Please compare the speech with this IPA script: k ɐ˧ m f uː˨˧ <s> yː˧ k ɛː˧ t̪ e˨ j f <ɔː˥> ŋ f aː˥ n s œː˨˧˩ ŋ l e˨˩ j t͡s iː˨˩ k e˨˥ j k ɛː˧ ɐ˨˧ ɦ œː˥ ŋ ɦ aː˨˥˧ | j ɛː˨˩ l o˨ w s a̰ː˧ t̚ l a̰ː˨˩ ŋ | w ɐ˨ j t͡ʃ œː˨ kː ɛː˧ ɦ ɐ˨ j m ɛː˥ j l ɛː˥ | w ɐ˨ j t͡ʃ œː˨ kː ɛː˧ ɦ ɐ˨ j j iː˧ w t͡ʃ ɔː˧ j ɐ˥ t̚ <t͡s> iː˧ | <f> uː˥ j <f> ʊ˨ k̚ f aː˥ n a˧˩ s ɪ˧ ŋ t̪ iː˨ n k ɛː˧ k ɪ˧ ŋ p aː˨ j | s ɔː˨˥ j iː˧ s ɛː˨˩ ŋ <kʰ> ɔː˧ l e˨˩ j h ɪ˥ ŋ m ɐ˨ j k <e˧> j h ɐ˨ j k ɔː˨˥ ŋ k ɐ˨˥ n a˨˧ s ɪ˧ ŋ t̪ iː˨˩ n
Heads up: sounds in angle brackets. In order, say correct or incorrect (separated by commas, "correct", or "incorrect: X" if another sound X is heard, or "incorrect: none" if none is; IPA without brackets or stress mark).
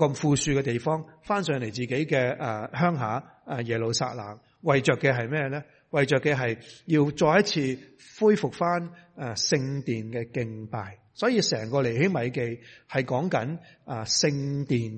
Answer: correct, correct, incorrect: t͡sʰ, correct, correct, incorrect: k, correct